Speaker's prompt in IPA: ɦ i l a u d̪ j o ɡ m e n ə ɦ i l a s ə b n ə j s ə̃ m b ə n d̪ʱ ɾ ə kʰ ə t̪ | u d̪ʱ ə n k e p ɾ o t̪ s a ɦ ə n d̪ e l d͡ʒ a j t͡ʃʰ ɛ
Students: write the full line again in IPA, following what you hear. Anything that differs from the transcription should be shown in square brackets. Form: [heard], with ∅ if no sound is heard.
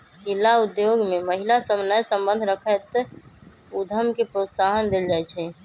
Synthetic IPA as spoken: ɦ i l a u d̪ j o ɡ m e [m] ə ɦ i l a s ə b n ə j s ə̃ m b ə n d̪ʱ ɾ ə kʰ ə t̪ | u d̪ʱ ə [m] k e p ɾ o t̪ s a ɦ ə n d̪ e l d͡ʒ a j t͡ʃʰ ɛ